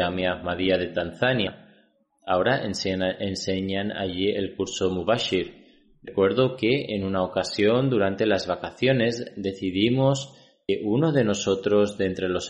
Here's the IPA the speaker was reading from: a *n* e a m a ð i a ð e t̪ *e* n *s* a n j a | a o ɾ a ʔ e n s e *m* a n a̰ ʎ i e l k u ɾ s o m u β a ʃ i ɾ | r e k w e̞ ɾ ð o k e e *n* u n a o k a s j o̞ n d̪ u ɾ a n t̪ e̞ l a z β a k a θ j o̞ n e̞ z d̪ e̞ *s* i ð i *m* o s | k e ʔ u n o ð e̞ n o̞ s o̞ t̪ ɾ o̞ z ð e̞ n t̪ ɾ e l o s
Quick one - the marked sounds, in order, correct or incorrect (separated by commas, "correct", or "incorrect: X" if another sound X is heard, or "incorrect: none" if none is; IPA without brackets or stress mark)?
incorrect: m, incorrect: a, incorrect: θ, incorrect: ɲ, correct, incorrect: θ, correct